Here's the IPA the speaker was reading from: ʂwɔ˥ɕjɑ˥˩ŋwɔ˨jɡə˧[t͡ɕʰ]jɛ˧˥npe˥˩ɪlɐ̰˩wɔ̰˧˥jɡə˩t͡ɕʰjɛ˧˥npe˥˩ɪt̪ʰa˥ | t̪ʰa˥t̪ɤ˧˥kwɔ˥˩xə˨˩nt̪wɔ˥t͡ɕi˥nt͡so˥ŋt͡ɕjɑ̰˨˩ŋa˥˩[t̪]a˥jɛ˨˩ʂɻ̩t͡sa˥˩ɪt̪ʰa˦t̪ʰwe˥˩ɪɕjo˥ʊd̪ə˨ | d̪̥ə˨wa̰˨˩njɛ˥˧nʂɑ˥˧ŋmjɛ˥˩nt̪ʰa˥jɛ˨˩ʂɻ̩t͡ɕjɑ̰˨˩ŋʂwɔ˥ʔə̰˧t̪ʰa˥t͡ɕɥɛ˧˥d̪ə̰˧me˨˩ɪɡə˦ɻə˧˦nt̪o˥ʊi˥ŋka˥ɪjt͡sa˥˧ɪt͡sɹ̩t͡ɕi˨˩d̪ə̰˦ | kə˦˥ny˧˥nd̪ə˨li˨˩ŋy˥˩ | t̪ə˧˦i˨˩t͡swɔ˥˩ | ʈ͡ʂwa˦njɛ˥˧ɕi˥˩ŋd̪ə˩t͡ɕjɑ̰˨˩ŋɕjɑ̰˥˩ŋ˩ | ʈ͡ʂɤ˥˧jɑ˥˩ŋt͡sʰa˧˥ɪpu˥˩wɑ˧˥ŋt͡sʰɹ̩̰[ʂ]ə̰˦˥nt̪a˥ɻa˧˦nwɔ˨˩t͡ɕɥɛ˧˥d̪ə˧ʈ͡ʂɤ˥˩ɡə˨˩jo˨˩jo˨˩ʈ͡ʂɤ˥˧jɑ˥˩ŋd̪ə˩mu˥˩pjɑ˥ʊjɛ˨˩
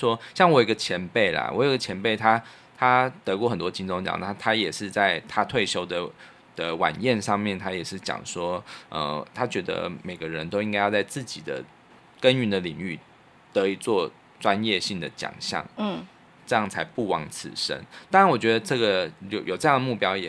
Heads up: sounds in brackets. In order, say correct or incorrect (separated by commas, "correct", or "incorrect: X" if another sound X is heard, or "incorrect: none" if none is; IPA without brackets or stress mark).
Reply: correct, incorrect: t̪ʰ, correct